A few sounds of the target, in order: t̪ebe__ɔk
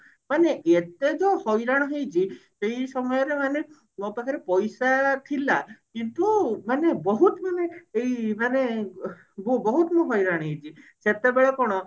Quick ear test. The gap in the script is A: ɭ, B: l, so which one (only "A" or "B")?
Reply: A